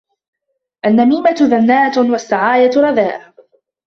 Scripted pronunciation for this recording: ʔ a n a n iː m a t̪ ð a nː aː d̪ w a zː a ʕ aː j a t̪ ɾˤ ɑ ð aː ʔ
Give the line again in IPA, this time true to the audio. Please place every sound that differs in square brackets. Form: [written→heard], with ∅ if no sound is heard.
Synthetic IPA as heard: ʔ a [n→nː] a [n→m] iː m a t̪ ð a nː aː [d̪→t̪] w a [zː→sː] a ʕ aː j a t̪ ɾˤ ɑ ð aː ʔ